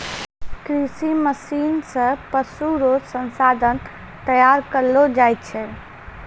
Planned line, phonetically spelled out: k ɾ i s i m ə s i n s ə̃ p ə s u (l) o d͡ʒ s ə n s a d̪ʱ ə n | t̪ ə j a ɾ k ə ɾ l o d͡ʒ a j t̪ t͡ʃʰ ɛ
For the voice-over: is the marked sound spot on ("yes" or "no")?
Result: no